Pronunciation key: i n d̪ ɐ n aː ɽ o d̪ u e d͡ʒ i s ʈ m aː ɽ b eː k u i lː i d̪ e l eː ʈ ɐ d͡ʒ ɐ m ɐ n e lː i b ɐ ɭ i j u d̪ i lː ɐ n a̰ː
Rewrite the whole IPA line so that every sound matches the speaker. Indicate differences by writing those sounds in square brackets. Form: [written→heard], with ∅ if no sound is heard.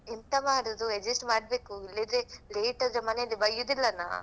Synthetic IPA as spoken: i n [d̪→t̪] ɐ [n→m] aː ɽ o d̪ u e d͡ʒ i s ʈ m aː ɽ b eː k u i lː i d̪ e l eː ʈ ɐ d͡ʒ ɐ m ɐ n e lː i b ɐ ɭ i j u d̪ i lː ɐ n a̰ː